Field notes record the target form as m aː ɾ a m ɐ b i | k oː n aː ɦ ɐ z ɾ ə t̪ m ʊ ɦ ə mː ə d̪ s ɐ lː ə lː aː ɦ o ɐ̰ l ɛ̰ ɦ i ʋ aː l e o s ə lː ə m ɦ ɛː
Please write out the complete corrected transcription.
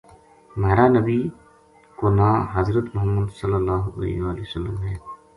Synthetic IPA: m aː ɾ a n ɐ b i | k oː n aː ɦ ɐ z ɾ ə t̪ m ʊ ɦ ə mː ə d̪ s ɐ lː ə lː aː ɦ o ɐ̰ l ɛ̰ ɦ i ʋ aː l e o s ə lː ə m ɦ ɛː